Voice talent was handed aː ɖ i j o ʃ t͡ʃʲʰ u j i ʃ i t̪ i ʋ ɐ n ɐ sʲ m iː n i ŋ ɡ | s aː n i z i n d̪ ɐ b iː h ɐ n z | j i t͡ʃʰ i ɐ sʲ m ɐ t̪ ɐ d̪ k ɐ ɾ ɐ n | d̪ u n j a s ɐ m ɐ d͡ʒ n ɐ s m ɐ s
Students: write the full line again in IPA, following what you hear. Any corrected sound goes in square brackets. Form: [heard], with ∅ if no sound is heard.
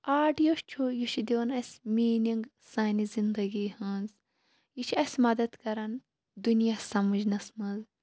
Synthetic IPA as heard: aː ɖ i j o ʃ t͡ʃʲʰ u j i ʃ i [d̪] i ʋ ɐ n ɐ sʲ m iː n i ŋ ɡ | s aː n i z i n d̪ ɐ [ɡ] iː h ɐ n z | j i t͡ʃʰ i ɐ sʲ m ɐ [d̪] ɐ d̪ k ɐ ɾ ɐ n | d̪ u n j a s ɐ m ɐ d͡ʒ n ɐ s m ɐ [z]